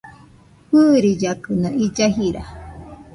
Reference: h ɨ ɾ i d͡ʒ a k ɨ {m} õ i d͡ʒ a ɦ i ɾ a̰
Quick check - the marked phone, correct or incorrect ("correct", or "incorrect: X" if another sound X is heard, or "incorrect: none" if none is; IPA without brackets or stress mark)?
incorrect: n